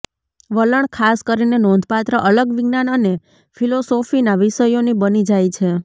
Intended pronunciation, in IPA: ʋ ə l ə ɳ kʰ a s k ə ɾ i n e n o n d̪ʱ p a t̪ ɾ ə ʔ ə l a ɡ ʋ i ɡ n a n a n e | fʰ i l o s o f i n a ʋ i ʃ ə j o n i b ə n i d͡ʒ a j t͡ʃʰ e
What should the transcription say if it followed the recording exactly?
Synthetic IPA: ʋ ə l ə ɳ kʰ a s k ə ɾ i n e n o n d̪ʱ p a t̪ ɾ ə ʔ ə l ə ɡ ʋ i ɡ n a n ə n e | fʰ i l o s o f i n a ʋ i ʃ ə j o n i b ə n i d͡ʒ a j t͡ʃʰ e